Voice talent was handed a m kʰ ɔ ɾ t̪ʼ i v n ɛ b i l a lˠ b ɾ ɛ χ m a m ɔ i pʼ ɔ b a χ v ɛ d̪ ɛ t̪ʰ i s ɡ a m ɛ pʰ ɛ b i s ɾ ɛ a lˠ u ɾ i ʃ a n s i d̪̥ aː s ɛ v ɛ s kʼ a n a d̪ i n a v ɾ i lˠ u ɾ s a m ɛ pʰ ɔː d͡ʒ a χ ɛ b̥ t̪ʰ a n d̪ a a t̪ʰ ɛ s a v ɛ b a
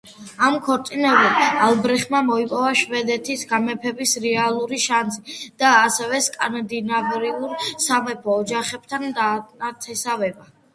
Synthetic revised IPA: a m kʰ ɔ ɾ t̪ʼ i n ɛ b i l a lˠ b ɾ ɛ χ m a m ɔ i pʼ ɔ v a ʃ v ɛ d̪ ɛ t̪ʰ i s ɡ a m ɛ pʰ ɛ b i s ɾ ɛ a lˠ u ɾ i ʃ a n s i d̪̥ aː s ɛ v ɛ s kʼ a n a d̪ i n a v ɾ i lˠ u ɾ s a m ɛ pʰ ɔː d͡ʒ a χ ɛ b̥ t̪ʰ a n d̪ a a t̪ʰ ɛ s a v ɛ b a